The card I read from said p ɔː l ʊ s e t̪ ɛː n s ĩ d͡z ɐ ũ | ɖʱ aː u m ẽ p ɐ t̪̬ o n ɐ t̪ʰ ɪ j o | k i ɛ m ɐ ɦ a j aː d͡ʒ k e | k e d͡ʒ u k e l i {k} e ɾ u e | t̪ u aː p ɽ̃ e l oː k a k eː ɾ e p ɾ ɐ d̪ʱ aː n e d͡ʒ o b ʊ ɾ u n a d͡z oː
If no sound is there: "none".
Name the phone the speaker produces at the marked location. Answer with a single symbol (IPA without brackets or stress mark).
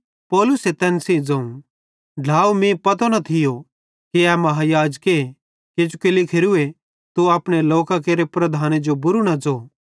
kʰ